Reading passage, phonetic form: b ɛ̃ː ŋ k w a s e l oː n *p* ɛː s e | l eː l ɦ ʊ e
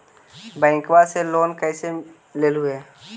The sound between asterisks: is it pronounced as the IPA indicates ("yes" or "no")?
no